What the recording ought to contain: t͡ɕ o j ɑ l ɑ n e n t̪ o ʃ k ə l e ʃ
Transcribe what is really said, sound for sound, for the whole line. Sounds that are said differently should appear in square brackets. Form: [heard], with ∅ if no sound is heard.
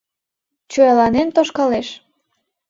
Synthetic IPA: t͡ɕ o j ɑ l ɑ n e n t̪ o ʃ k [ɑ] l e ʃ